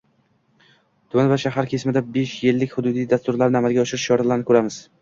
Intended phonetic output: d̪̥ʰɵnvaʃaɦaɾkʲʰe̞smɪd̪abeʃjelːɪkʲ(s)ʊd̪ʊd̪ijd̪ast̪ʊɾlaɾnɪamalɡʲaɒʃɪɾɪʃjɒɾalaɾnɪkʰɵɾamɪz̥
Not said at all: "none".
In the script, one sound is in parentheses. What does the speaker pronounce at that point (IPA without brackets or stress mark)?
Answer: h